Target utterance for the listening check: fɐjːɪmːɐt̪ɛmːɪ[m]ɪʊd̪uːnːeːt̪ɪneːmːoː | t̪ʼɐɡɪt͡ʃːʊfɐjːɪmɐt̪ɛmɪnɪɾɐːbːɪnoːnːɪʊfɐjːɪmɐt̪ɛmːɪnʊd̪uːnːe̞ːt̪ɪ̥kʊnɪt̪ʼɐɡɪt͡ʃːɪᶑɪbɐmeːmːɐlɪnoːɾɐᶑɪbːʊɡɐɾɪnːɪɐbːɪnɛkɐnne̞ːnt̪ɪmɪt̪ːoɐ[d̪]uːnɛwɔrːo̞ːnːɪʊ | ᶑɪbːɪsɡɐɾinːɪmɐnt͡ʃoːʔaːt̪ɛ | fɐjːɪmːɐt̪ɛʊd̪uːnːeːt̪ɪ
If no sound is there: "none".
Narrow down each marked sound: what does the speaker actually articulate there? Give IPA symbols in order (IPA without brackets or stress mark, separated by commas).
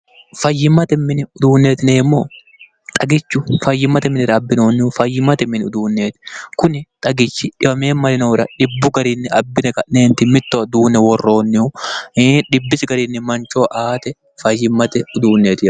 n, d̪